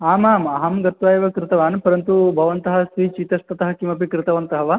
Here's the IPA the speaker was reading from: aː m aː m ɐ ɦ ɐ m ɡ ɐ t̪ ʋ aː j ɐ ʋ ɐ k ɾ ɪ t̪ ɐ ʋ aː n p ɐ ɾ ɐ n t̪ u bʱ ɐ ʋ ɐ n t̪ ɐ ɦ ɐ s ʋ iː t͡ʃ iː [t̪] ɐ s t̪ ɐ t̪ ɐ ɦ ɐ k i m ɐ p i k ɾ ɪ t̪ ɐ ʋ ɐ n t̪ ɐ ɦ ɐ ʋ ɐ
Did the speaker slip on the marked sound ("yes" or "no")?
no